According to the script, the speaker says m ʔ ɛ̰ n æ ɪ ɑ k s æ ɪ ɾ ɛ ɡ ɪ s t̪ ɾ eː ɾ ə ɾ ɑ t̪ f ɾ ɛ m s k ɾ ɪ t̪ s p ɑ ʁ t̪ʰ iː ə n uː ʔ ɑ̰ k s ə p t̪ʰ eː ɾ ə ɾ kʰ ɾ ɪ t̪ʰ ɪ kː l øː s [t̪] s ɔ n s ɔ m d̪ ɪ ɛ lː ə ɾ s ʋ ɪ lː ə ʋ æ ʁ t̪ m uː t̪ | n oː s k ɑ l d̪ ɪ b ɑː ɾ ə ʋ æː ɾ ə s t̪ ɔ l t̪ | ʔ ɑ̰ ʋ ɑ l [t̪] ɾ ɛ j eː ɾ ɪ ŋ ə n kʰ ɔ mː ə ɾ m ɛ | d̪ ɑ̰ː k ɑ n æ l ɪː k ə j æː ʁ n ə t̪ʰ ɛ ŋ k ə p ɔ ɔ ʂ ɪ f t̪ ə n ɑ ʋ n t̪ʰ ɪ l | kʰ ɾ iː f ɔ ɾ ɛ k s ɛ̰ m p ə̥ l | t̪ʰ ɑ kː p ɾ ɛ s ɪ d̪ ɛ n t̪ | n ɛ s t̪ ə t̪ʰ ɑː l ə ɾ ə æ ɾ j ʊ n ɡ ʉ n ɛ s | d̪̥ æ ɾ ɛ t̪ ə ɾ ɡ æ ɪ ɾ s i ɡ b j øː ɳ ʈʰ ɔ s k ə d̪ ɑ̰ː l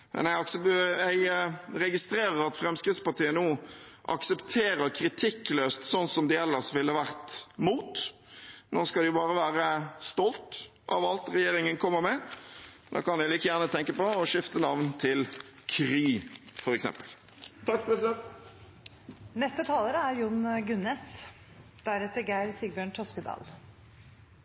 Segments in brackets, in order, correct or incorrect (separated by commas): correct, correct